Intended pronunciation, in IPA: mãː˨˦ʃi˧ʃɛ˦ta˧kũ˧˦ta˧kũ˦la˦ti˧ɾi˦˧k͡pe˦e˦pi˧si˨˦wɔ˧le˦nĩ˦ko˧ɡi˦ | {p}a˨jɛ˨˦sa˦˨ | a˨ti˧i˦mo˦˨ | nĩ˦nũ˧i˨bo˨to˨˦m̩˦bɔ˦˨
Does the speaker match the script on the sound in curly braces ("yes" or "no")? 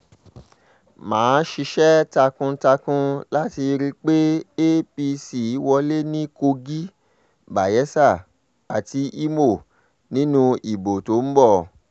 no